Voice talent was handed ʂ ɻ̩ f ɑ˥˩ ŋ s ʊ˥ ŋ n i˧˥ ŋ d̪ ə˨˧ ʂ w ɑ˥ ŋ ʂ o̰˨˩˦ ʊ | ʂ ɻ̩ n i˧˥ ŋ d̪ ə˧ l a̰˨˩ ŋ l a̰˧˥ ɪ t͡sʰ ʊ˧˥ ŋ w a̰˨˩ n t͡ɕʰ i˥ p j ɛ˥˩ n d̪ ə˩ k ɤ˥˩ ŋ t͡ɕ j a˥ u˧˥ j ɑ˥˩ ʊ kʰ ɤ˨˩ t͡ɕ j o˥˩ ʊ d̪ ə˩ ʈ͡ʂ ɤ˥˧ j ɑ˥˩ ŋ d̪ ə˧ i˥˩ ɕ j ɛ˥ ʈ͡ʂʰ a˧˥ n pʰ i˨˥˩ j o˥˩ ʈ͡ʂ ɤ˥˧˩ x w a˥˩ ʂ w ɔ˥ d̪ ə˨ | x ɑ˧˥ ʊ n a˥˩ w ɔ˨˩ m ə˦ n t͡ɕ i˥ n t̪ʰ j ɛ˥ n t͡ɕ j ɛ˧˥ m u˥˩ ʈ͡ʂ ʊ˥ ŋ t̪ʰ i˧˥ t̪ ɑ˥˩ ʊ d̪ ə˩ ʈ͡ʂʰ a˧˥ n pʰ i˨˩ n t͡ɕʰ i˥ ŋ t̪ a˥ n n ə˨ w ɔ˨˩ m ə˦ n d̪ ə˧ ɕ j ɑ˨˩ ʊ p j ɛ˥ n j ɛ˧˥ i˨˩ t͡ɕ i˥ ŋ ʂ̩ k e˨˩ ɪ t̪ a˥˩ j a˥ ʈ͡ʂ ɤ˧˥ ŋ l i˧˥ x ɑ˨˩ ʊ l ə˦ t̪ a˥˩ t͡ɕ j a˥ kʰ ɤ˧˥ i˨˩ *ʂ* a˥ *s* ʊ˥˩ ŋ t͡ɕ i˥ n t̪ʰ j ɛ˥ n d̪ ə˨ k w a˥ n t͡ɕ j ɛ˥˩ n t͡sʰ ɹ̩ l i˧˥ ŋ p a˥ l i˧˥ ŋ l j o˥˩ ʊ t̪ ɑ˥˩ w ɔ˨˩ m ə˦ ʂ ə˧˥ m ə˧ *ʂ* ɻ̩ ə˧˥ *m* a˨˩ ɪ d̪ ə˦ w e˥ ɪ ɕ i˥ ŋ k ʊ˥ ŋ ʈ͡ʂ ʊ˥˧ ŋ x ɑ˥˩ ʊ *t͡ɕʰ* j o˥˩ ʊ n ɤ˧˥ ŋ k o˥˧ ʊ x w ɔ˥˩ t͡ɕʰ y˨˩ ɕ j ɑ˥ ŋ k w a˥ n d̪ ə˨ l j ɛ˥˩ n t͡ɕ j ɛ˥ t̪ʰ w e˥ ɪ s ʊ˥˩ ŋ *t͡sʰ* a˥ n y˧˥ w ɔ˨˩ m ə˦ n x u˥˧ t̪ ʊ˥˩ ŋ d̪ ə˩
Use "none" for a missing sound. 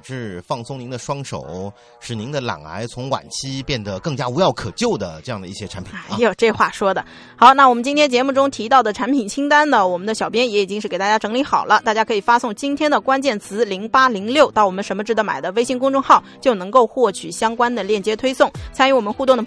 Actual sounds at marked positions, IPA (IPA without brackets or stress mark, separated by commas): f, s, ʈ͡ʂ, m, t͡ɕ, t͡sʰ